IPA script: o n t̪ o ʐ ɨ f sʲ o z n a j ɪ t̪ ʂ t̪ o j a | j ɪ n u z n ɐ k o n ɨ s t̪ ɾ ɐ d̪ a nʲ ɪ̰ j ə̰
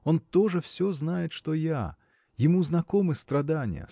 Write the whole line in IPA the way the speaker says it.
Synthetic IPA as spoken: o n t̪ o ʐ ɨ f sʲ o z n a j ɪ t̪ ʂ t̪ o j a | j ɪ m u z n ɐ k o m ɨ s t̪ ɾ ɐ d̪ a nʲ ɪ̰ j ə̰